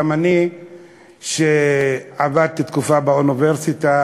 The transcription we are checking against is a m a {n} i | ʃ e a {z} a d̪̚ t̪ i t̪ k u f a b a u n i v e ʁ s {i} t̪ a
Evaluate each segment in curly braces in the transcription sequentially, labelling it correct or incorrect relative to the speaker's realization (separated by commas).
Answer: correct, incorrect, correct